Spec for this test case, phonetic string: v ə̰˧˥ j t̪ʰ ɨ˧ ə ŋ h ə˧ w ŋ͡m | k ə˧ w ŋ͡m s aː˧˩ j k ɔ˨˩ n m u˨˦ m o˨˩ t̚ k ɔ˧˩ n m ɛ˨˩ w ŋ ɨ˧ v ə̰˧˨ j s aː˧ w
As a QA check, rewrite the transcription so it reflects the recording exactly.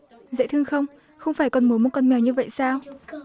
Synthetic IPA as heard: z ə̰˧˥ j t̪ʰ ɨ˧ ə ŋ x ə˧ w ŋ͡m | x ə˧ w ŋ͡m f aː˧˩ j k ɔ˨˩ n m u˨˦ m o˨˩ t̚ k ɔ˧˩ n m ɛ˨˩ w ɲ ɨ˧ v ə̰˧˨ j s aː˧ w